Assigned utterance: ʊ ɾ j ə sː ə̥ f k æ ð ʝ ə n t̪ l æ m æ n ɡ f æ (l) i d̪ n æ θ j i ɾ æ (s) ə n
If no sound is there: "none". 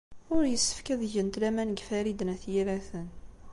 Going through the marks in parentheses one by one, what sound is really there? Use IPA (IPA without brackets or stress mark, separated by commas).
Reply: ɾ, θ